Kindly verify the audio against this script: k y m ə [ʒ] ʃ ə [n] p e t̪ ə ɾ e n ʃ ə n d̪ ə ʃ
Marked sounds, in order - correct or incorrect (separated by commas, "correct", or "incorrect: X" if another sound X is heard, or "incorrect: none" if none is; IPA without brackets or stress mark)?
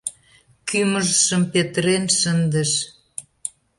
correct, incorrect: m